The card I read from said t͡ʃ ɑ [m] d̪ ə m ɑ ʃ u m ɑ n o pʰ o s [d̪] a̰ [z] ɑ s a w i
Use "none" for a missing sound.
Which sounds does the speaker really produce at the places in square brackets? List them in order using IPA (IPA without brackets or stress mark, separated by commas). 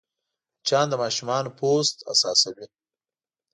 n, t̪, s